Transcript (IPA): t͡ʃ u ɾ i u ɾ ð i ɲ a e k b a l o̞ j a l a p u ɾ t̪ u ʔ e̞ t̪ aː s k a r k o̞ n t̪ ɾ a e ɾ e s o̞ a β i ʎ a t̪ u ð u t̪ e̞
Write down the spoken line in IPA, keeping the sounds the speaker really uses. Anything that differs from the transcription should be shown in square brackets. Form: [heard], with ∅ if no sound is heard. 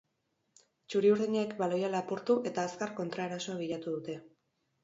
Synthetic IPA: t͡ʃ u ɾ i u ɾ ð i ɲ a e k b a l o̞ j a l a p u ɾ t̪ u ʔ e̞ t̪ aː s k a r k o̞ n t̪ ɾ a e ɾ [a] s o̞ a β i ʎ a t̪ u ð u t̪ e̞